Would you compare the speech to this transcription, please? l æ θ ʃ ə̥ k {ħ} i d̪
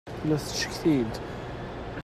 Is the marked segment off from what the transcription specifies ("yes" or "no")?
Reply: yes